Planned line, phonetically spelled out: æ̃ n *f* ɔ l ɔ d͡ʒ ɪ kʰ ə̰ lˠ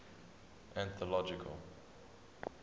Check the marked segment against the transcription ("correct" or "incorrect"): incorrect